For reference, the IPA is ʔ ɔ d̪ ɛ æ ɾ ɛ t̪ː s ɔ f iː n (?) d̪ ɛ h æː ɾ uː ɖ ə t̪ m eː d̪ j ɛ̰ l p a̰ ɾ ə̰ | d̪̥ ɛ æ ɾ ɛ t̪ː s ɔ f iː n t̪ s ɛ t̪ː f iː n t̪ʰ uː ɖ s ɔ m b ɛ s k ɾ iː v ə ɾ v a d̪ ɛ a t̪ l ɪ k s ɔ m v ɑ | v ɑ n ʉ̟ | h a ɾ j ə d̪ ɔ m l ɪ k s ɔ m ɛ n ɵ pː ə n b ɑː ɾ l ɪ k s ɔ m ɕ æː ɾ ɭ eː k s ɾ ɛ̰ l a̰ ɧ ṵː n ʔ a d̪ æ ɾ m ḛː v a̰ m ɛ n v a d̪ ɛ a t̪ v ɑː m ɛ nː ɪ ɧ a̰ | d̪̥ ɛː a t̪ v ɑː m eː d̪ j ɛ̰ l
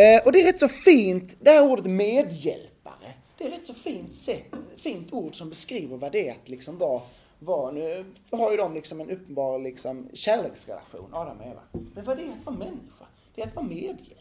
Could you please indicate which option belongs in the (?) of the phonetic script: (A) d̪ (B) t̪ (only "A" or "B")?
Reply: B